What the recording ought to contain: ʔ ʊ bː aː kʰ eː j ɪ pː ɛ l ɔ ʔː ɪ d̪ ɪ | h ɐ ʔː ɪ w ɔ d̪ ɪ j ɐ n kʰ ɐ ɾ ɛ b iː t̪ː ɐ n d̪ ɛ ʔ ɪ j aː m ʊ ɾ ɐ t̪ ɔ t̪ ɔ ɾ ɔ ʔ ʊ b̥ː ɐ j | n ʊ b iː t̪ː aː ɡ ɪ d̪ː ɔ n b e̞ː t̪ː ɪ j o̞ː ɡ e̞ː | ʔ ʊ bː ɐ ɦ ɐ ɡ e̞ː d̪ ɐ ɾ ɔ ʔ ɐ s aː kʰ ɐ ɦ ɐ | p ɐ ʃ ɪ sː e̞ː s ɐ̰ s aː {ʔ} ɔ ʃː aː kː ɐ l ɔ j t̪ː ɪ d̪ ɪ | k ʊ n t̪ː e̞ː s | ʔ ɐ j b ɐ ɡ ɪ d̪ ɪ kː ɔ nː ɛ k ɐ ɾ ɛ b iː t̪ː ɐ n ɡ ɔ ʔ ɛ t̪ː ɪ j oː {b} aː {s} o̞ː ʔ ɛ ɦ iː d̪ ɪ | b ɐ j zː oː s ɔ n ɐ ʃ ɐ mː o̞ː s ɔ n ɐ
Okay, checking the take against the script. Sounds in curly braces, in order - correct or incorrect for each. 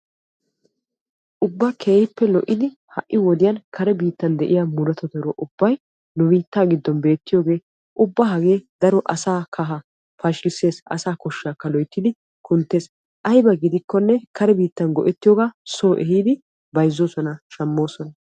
incorrect: k, incorrect: ɡ, correct

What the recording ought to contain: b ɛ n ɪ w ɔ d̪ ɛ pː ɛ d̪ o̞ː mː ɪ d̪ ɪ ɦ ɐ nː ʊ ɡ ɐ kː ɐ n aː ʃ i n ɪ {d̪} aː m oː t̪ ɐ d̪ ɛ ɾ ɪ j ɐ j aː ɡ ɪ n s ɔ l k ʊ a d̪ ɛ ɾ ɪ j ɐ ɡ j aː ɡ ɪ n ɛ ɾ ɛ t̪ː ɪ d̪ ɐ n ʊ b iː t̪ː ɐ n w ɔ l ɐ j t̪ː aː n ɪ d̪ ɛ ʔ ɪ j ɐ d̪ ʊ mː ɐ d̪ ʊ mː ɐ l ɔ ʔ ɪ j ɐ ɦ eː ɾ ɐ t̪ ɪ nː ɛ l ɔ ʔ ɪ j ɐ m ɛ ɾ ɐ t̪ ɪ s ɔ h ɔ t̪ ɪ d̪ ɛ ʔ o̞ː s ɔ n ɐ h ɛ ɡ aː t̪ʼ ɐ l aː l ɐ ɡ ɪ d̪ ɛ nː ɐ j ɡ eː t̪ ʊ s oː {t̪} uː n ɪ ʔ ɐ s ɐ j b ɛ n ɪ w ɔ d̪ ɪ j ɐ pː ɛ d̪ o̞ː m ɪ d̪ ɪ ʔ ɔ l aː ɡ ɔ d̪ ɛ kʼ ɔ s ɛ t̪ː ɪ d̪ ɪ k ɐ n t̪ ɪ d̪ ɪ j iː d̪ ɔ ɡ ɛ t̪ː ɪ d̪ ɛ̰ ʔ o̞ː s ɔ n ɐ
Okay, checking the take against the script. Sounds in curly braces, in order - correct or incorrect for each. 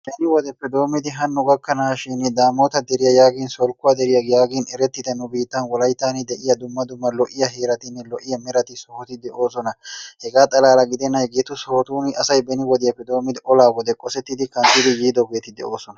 correct, correct

